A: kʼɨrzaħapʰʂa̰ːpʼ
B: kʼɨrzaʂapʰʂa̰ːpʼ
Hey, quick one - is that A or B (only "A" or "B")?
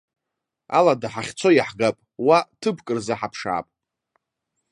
A